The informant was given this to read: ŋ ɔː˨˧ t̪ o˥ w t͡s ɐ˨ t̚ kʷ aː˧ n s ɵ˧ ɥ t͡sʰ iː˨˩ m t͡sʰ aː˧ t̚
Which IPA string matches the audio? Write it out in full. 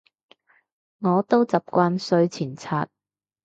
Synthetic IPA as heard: ŋ ɔː˨˧ t̪ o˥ w t͡s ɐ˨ p̚ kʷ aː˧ n s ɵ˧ ɥ t͡sʰ iː˨˩ n t͡sʰ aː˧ t̚